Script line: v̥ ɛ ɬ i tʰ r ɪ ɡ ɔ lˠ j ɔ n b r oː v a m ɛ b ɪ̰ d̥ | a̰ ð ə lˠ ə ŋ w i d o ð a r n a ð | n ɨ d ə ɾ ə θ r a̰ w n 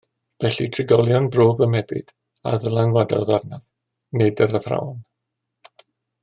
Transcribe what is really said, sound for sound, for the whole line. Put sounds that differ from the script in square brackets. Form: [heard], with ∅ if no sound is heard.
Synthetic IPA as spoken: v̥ ɛ ɬ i tʰ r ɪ ɡ ɔ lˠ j ɔ n b r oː v [ə] m ɛ b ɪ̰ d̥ | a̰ ð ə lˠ [a] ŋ w [a] d [ɔ] ð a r n a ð | n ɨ d ə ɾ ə θ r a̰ w n